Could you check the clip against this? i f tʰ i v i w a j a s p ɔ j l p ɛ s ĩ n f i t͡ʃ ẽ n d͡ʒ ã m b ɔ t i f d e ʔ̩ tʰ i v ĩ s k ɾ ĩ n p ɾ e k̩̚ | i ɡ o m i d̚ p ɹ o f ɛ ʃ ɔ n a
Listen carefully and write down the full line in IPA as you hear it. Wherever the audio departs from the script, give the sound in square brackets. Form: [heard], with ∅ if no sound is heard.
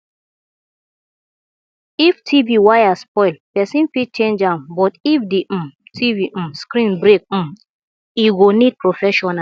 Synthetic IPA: i f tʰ i v i w a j a s p ɔ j l p ɛ s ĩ n f i t͡ʃ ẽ n d͡ʒ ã m b ɔ t i f d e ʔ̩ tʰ i v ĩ s k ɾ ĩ n [b] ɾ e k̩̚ | i ɡ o [n] i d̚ p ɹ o f ɛ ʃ ɔ n a